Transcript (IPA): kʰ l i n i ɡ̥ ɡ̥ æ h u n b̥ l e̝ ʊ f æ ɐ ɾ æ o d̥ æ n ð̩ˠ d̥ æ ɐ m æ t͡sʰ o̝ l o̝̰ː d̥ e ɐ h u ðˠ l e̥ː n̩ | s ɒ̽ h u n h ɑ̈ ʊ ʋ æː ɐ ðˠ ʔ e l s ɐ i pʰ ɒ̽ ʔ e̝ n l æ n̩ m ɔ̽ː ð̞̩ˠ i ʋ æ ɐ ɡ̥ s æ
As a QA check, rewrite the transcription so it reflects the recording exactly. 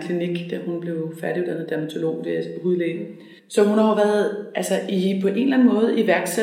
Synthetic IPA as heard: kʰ l i n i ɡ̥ d̥ æ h u n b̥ l e̝ ʊ f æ ɐ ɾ i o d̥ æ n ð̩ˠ d̥ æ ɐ m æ t͡sʰ o̝ l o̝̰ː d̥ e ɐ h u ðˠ l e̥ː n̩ | s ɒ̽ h u n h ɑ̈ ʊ ʋ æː ɐ ðˠ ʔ æ l s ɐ i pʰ ɒ̽ ʔ e̝ n l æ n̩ m ɔ̽ː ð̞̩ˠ i ʋ æ ɐ ɡ̥ s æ